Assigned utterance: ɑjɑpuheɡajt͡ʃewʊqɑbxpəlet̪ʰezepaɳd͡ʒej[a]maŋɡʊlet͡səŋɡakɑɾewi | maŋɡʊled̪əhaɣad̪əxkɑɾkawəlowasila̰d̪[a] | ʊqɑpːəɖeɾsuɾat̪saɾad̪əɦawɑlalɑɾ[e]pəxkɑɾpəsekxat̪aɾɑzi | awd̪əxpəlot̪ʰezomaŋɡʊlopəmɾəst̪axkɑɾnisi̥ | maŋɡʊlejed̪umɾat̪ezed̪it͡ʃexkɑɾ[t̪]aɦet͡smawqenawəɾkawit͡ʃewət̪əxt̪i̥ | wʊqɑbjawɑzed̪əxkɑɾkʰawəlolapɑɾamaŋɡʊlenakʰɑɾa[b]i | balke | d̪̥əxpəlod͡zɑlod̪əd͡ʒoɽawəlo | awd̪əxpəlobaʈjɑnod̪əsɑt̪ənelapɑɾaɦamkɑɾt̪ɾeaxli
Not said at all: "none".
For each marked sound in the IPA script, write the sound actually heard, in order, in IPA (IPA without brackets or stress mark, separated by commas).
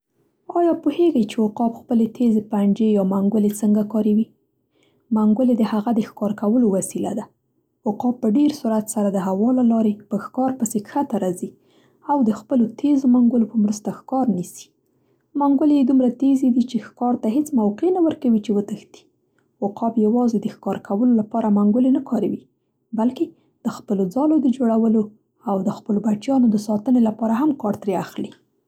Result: ɑ, a, e, t̪, w